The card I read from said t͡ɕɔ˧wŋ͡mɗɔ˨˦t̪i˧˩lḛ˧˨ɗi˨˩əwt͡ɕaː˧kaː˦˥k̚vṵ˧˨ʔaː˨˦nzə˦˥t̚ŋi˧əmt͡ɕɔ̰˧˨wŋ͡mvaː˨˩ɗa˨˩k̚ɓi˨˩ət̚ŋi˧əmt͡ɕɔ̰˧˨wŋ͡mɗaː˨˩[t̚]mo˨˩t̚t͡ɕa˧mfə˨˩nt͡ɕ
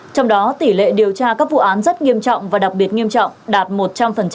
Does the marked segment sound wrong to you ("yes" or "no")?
no